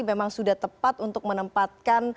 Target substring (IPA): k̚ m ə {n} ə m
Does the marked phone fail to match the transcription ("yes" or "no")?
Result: no